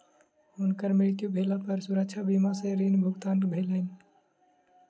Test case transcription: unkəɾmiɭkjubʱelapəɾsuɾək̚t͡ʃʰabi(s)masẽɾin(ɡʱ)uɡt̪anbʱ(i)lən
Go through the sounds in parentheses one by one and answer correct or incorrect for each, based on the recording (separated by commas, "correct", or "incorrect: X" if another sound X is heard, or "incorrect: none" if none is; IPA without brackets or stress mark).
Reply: incorrect: none, incorrect: bʱ, incorrect: e